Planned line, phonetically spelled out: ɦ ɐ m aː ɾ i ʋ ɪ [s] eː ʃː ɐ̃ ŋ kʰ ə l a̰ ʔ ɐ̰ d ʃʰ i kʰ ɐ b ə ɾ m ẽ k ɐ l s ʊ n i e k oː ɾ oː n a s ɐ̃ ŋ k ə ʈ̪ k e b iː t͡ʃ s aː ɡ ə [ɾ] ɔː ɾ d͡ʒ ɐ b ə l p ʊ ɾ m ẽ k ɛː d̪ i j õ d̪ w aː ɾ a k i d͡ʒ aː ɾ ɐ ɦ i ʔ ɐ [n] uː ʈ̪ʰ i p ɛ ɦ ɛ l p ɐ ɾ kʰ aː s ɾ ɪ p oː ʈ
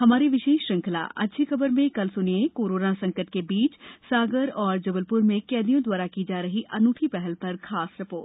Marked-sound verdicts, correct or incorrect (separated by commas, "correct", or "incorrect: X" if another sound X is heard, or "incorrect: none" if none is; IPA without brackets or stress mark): incorrect: ʃ, correct, correct